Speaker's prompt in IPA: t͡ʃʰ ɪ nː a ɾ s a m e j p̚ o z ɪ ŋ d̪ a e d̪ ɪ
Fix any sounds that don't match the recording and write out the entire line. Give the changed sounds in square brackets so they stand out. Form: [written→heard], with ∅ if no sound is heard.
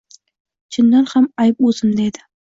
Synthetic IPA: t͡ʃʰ ɪ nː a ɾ [s→h] a m [e→a] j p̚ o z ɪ [ŋ→m] d̪ a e d̪ ɪ